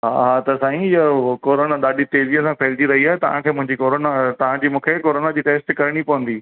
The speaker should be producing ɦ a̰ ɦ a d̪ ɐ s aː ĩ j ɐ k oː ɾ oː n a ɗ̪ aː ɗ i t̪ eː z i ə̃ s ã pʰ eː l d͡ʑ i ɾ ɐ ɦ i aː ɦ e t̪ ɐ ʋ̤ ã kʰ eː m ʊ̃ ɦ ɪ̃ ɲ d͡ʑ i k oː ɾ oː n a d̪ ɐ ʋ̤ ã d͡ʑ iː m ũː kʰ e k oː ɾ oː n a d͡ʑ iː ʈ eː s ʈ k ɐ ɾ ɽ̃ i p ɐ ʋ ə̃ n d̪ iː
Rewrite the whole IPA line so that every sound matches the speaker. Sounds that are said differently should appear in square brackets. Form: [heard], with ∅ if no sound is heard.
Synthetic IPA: ɦ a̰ ɦ a [t̪] ɐ s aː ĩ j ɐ k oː ɾ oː n a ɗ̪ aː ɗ i t̪ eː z i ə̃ s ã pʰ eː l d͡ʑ i ɾ ɐ ɦ i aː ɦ e t̪ ɐ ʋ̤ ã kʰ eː m ʊ̃ ɦ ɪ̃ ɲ d͡ʑ i k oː ɾ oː n a [t̪] ɐ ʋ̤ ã d͡ʑ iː m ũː kʰ e k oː ɾ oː n a d͡ʑ iː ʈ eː s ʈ k ɐ ɾ ɽ̃ i p ɐ ʋ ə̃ n d̪ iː